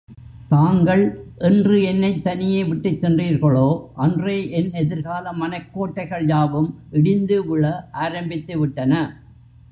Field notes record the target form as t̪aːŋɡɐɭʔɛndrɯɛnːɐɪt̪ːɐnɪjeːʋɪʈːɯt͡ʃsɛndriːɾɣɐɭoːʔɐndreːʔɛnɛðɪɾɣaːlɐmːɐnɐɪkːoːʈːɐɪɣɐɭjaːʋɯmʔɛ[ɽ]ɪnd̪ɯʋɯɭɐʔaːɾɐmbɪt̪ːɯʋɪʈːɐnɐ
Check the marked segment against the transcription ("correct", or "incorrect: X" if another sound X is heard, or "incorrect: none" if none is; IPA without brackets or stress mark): correct